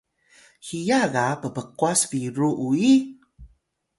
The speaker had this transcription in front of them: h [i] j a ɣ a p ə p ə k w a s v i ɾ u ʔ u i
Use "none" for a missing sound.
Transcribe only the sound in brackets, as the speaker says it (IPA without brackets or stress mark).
i